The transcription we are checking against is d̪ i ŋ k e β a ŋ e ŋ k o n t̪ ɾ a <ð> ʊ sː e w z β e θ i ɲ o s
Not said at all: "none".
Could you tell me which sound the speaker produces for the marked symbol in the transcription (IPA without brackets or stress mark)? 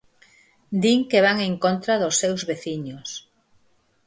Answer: ð